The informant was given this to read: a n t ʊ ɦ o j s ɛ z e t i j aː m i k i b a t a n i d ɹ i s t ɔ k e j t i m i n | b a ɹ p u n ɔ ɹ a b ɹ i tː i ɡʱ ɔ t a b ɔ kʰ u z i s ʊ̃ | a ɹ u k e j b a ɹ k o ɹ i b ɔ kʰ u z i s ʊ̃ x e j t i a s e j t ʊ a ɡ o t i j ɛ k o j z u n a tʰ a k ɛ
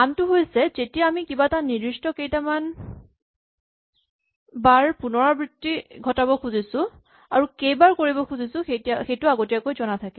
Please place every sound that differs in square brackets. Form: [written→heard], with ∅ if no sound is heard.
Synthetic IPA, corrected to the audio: a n t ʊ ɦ o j s ɛ z e t i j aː m i k i b a t a n i d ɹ i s t ɔ k e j t [i→a] m [i→a] n | b a ɹ p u n ɔ ɹ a b ɹ i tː i ɡʱ ɔ t a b ɔ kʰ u z i s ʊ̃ | a ɹ u k e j b a ɹ k o ɹ i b ɔ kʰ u z i s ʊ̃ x e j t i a [s→x] e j t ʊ a ɡ o t i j [ɛ→a] k o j z [u→ɔ] n a tʰ a k ɛ

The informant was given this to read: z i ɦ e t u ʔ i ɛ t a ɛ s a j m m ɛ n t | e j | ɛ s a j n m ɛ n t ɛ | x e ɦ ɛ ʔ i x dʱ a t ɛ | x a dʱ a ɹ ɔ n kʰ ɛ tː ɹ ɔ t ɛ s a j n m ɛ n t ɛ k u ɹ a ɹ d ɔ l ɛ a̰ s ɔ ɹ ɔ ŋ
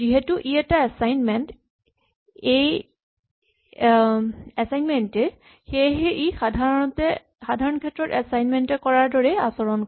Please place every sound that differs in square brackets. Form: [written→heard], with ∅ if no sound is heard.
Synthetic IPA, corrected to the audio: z i ɦ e t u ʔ i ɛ t a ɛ s a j [m→n] m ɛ n t | e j | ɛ s a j n m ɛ n t ɛ | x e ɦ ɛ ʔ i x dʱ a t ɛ | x a dʱ a ɹ ɔ n kʰ ɛ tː ɹ ɔ t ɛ s a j n m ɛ n t ɛ k [u→ɔ] ɹ a ɹ d ɔ [l→ɹ] ɛ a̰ s ɔ ɹ ɔ [ŋ→n]

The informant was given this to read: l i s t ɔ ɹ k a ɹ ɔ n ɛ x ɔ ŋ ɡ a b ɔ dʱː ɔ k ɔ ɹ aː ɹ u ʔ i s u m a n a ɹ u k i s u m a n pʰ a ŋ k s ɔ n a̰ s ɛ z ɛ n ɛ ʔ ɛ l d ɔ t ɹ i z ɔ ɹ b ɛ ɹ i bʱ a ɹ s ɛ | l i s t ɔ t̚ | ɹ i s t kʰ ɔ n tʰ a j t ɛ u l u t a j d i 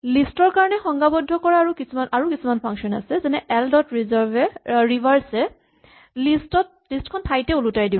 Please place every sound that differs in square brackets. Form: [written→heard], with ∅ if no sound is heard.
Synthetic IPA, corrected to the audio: l i s t ɔ ɹ k a ɹ ɔ n ɛ x ɔ ŋ ɡ a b ɔ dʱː ɔ k ɔ ɹ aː ɹ u [ʔ→k] i s u m a n a ɹ u k i s u m a n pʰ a ŋ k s ɔ n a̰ s ɛ z ɛ n ɛ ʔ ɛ l d ɔ t ɹ i z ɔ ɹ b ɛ ɹ i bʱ a ɹ s ɛ | l i s t ɔ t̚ | [ɹ→l] i s t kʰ ɔ n tʰ a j t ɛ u l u t a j d i

